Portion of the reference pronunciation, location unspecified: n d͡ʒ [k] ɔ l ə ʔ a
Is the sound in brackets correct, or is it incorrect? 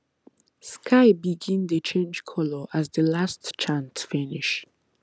incorrect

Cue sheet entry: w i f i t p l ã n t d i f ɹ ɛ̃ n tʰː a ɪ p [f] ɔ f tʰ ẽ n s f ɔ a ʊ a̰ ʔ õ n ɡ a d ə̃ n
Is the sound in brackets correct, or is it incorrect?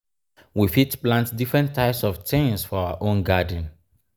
incorrect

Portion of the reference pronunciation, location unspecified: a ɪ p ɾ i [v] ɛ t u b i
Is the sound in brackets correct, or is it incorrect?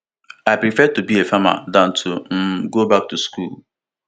incorrect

